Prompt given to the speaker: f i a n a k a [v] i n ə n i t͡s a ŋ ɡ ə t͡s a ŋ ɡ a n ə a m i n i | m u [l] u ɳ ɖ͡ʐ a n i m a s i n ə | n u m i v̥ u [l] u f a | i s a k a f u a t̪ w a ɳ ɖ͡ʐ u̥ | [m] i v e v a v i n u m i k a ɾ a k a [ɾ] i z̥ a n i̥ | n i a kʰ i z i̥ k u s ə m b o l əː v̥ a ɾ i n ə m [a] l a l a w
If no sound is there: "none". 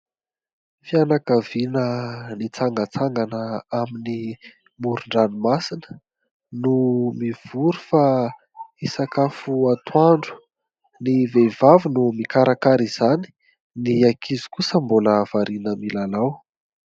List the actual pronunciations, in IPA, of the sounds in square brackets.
v, ɾ, ɾ, n, ɾ, i

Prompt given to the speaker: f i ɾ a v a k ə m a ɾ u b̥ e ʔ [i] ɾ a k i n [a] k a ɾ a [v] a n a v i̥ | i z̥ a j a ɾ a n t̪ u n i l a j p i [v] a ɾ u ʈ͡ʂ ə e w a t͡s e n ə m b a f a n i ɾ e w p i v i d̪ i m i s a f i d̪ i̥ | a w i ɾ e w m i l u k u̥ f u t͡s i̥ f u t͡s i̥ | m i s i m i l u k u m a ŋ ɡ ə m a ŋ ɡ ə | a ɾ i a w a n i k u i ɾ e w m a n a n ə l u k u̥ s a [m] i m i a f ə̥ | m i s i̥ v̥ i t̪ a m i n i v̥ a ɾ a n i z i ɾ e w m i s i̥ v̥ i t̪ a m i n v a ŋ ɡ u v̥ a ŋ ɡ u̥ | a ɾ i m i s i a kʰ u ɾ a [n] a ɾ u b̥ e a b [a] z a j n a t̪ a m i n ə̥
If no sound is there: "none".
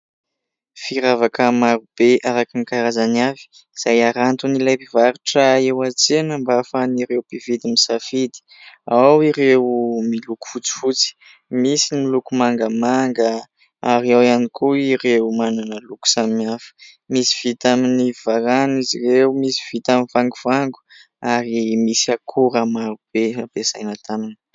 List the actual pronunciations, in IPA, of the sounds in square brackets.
a, i, z, v, m, m, e

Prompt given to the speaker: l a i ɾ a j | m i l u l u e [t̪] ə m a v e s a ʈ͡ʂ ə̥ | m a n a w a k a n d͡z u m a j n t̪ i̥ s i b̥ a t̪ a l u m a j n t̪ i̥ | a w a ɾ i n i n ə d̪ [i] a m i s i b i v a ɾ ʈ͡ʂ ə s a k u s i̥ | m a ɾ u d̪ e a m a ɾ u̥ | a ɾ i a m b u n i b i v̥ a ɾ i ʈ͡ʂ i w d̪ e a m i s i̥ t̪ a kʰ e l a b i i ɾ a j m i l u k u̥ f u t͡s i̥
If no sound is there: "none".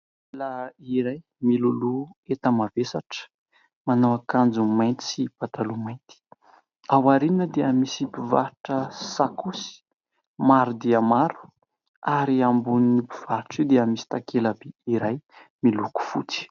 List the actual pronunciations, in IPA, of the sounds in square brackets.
t̪, e

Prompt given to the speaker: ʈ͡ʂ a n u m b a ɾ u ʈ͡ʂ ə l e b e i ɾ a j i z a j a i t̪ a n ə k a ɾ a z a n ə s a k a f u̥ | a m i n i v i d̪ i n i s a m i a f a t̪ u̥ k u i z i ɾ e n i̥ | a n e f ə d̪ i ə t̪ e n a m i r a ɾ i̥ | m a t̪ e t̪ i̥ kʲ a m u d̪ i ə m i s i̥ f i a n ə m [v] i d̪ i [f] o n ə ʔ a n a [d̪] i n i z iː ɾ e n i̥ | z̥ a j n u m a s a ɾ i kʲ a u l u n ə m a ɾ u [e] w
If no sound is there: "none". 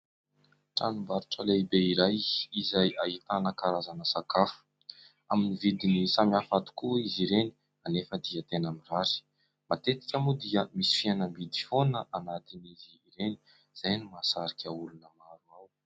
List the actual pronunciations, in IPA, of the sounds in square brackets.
b, f, t̪, a

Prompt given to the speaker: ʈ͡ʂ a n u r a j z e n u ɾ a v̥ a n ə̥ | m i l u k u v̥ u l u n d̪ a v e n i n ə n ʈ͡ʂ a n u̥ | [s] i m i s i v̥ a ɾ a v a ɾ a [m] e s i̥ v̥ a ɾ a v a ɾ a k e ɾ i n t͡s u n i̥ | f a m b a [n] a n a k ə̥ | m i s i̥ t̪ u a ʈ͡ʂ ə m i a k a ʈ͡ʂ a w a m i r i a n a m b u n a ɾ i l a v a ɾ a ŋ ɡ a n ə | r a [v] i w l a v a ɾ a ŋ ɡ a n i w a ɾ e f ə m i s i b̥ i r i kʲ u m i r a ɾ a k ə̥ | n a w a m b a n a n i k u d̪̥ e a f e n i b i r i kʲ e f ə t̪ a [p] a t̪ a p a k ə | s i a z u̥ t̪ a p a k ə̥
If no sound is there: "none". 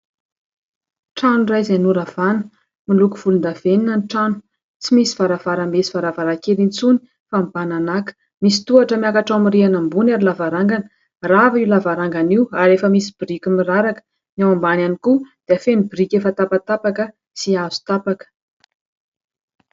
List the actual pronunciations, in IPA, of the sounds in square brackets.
t͡s, m, n, v, p

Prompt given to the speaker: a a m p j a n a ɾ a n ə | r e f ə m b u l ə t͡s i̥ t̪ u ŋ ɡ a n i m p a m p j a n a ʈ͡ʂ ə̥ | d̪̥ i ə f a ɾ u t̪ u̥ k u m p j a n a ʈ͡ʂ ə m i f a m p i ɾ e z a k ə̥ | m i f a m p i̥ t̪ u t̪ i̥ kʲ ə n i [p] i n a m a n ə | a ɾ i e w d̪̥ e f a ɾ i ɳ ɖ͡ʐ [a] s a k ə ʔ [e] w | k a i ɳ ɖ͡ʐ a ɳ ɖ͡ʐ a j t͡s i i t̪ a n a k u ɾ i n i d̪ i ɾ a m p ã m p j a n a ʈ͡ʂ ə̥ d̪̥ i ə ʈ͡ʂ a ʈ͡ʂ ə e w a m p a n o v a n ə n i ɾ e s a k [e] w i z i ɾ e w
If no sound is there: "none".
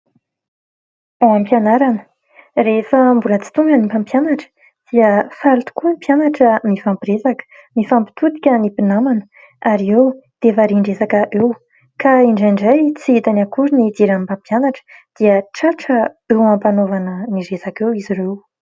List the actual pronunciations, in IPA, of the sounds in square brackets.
p, e, e, e

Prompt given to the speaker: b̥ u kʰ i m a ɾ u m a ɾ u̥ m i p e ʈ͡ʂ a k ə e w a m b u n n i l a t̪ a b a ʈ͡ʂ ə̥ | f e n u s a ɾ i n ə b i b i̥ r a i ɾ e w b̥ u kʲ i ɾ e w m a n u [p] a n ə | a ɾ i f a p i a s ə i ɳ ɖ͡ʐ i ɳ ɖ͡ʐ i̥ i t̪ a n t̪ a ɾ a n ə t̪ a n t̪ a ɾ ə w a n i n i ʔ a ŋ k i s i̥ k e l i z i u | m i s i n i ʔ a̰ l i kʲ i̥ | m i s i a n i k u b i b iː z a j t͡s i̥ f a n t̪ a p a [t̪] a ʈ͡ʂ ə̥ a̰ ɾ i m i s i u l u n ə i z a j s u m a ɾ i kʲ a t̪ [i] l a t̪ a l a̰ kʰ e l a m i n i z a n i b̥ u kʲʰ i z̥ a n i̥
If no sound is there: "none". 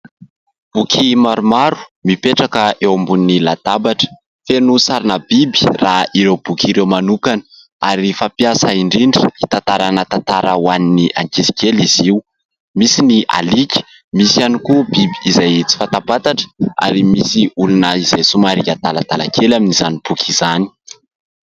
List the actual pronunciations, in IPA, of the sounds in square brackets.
k, t̪, a

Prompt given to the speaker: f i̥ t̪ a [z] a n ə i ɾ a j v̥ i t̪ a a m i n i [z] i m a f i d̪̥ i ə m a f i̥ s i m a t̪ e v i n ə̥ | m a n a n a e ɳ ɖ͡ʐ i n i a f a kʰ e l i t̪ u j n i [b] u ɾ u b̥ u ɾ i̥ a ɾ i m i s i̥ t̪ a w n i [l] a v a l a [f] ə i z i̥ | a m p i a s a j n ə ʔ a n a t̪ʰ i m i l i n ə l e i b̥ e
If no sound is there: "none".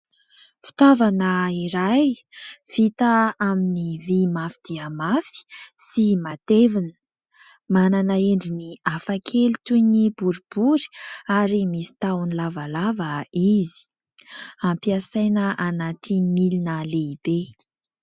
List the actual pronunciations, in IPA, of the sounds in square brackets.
v, v, b, l, v

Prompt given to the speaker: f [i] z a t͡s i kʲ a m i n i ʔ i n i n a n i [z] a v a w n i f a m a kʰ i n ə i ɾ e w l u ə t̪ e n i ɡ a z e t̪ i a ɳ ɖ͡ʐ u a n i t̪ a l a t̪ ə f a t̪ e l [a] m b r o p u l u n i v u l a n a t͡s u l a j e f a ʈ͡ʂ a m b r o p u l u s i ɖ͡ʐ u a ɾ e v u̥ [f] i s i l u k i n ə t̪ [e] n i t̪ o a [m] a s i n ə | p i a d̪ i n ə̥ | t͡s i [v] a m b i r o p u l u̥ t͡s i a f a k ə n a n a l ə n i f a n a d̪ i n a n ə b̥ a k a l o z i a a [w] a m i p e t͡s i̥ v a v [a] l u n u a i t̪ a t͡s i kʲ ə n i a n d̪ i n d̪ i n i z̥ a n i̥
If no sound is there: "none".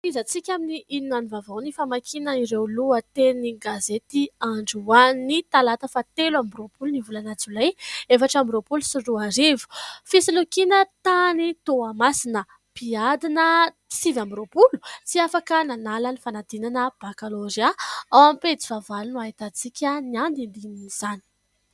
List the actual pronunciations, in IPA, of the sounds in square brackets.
i, v, a, f, a, m, v, w, a

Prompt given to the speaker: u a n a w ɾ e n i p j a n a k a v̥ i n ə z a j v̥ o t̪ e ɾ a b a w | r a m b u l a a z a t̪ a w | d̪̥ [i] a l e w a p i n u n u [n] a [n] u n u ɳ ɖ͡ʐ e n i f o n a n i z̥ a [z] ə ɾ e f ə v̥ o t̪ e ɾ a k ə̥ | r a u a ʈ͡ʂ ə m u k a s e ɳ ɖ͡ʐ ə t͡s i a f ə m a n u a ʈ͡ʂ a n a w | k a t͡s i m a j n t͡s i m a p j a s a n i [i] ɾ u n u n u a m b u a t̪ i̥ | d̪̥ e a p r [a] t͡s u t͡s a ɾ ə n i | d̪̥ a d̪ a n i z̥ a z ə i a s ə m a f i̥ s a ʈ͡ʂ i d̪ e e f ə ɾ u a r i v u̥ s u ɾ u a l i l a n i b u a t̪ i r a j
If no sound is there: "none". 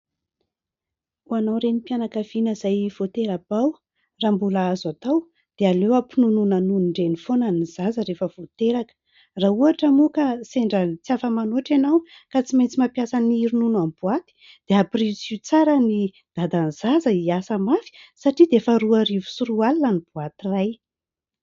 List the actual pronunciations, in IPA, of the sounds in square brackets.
e, n, n, z, i, i

